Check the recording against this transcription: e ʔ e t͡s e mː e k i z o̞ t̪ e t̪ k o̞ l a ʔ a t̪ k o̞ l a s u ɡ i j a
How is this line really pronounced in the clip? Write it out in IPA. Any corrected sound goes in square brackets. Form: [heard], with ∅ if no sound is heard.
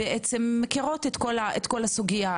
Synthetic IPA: e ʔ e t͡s e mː e k i [ʁ] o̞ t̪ e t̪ k o̞ l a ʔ [e] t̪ k o̞ l a s u ɡ i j a